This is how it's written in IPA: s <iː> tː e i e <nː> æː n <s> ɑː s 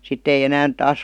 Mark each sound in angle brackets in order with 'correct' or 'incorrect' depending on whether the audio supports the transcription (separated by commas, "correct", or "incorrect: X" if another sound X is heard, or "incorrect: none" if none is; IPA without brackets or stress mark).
incorrect: i, incorrect: n, incorrect: t